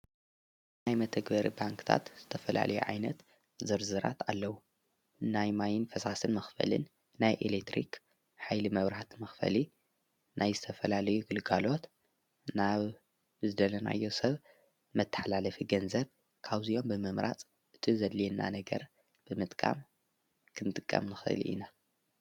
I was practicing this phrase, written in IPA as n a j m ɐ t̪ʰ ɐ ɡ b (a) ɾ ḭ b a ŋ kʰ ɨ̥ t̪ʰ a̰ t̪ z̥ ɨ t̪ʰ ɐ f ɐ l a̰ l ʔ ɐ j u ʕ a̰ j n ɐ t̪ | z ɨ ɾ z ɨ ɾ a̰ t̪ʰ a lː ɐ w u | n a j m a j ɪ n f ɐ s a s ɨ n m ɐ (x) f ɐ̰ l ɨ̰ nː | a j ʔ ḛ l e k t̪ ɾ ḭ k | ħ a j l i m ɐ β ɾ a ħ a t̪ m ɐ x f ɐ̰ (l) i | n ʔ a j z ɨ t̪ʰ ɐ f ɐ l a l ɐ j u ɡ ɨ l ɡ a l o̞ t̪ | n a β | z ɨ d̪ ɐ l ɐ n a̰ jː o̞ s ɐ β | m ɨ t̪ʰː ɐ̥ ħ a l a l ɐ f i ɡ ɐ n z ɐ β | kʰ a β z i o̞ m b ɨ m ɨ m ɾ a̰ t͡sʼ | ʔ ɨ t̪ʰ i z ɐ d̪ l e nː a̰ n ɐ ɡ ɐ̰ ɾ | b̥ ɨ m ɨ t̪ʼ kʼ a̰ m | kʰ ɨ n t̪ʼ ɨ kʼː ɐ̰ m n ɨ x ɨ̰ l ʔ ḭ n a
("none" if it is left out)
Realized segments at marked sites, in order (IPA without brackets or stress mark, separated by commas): ɐ, x, l